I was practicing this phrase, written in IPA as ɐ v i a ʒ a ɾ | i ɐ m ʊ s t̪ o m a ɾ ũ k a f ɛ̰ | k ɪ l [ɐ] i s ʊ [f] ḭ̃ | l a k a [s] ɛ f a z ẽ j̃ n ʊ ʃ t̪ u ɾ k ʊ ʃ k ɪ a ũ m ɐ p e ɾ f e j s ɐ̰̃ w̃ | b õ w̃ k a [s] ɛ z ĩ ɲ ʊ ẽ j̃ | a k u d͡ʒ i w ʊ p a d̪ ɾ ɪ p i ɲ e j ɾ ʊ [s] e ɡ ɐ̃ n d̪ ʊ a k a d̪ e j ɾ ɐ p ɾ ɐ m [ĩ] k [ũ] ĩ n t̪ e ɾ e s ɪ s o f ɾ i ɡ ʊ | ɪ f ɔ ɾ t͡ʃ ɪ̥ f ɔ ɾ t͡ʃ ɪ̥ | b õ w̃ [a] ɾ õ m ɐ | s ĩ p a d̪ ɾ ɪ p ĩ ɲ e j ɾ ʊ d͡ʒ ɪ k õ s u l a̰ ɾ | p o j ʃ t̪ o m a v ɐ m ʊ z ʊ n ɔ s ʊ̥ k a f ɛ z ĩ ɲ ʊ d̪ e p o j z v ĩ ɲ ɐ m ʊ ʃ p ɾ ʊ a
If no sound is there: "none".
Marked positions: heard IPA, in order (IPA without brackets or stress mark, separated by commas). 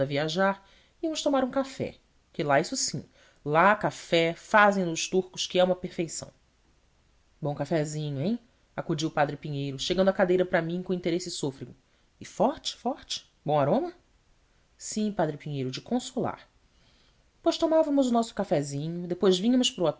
a, s, f, f, ʃ, ĩ, õ, a